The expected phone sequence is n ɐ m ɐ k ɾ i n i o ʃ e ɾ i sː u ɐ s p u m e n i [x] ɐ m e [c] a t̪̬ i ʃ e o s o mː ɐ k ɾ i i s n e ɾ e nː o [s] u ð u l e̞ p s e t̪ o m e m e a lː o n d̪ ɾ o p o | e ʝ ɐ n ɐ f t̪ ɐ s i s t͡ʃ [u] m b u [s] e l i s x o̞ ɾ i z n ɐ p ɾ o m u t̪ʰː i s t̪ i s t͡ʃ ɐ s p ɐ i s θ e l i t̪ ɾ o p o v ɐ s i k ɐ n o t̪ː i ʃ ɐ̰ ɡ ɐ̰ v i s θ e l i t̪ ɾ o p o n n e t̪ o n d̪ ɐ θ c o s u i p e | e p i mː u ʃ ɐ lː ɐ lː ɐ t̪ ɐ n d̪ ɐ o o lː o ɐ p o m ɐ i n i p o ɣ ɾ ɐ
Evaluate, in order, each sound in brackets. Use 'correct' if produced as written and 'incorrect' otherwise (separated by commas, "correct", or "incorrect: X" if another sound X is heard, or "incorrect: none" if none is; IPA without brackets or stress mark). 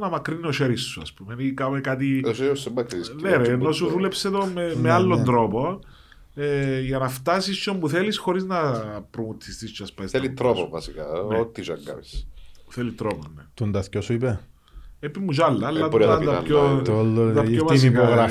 incorrect: k, incorrect: k, correct, incorrect: o, incorrect: θ